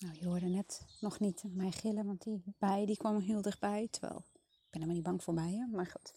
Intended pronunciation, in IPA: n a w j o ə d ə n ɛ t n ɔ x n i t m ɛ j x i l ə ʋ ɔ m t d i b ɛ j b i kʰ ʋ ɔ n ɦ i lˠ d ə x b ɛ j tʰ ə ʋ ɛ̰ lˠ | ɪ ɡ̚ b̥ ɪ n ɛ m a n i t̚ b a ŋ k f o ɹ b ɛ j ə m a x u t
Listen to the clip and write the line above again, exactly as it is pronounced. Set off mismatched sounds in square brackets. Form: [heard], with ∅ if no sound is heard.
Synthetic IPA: n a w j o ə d ə n ɛ t n ɔ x n i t m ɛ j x [ɪ] l ə ʋ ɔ [n] t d i b ɛ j [d] i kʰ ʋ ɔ [m] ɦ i lˠ d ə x b ɛ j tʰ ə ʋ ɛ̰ lˠ | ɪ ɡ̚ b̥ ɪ n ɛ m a n i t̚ b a ŋ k f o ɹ b ɛ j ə m a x u t